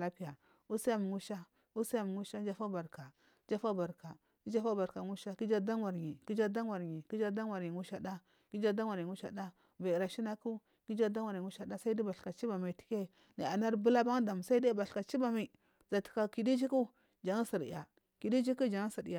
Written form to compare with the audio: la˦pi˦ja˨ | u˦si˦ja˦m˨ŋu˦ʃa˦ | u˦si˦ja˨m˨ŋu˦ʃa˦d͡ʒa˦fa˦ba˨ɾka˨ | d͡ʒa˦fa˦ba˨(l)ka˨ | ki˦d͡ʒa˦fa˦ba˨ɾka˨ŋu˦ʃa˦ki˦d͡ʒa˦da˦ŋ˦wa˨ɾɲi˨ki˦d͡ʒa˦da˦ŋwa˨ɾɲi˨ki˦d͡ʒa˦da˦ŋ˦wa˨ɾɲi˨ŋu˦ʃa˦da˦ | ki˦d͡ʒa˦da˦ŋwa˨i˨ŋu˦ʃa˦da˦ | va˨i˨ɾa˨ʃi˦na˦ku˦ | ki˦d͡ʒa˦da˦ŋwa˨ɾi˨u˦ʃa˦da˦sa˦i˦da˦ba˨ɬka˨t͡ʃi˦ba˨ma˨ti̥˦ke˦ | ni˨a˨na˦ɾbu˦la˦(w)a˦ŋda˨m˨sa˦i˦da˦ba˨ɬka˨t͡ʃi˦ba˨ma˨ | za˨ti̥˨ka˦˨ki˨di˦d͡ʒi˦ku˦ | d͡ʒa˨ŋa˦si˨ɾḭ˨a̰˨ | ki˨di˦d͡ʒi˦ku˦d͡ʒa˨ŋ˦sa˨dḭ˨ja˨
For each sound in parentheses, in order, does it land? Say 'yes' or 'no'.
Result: no, no

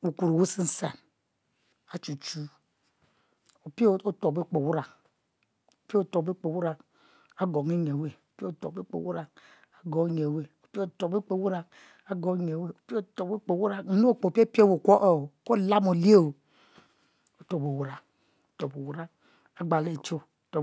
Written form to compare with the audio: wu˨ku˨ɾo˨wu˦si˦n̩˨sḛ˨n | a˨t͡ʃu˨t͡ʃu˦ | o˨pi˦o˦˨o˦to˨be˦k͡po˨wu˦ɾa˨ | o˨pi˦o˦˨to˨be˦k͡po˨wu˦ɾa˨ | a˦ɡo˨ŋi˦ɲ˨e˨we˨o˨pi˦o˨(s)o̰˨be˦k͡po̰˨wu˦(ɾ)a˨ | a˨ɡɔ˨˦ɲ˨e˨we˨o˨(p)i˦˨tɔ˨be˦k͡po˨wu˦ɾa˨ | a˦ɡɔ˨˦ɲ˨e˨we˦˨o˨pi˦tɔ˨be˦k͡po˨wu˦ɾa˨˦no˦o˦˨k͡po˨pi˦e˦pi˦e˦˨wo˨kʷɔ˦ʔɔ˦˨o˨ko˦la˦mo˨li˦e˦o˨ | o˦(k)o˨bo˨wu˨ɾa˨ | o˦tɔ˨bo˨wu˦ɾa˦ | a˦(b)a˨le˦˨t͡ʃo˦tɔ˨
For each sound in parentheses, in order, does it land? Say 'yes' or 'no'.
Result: no, yes, yes, no, no

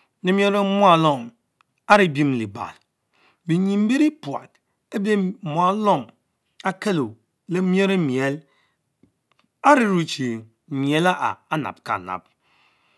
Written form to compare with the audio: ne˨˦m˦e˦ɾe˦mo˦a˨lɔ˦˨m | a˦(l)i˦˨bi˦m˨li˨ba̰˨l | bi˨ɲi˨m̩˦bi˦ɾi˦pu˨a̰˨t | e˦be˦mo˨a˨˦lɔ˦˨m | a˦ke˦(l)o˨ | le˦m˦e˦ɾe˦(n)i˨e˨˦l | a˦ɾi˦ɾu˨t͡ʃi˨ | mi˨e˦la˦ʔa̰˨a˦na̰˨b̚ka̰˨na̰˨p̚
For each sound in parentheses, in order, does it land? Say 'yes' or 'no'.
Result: no, yes, no

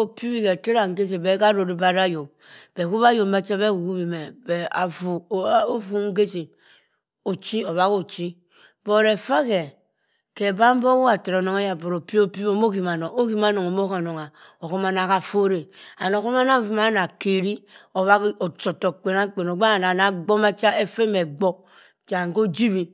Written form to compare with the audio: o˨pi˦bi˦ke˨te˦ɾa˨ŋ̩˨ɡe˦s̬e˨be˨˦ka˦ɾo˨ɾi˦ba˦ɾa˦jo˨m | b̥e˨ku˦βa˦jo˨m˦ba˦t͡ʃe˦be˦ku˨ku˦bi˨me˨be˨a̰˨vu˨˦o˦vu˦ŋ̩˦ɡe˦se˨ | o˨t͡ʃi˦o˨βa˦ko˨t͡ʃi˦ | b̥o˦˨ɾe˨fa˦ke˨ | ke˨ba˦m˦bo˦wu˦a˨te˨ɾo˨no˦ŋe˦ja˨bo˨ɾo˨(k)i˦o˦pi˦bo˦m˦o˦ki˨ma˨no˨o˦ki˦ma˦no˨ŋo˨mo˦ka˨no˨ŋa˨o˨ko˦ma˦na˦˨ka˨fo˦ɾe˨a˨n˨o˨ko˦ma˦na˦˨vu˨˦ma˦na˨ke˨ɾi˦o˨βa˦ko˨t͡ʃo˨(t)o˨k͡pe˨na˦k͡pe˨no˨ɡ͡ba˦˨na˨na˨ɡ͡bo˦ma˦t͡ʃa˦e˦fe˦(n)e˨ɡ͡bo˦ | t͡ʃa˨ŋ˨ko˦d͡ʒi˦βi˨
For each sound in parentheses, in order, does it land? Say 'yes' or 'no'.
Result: no, yes, no

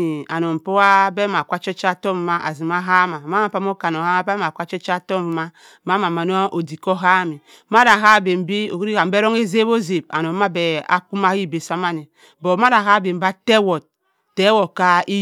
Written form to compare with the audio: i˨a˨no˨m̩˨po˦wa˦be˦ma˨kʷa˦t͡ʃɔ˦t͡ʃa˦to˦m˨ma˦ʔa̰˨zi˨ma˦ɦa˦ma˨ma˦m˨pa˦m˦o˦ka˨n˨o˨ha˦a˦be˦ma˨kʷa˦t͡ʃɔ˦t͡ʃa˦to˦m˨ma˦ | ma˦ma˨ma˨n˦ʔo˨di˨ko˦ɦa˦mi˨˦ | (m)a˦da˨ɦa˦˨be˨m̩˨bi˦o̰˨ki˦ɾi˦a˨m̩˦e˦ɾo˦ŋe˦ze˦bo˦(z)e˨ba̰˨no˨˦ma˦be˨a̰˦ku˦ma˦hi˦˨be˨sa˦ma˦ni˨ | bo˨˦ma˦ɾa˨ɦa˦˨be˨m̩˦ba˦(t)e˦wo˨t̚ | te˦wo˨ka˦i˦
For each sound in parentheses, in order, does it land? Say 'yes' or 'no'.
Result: yes, yes, yes

